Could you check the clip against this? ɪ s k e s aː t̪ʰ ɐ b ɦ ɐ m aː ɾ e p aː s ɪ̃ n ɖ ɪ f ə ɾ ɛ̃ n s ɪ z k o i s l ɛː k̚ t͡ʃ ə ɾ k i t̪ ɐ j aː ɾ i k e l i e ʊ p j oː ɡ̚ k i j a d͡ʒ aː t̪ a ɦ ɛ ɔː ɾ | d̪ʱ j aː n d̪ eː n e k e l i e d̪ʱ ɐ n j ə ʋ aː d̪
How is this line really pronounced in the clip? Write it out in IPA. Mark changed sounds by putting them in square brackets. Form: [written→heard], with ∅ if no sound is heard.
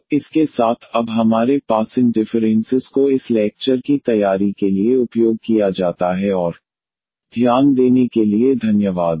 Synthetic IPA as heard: ɪ s k e s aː t̪ʰ ɐ b ɦ ɐ m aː ɾ e p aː s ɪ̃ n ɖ ɪ f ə ɾ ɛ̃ n s ɪ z k o [i→ɪ] s l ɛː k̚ t͡ʃ ə ɾ k i t̪ ɐ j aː ɾ i k e l i e ʊ p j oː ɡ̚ k i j a d͡ʒ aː t̪ a ɦ ɛ ɔː ɾ | d̪ʱ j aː n d̪ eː n e k e l i e d̪ʱ ɐ n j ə ʋ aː d̪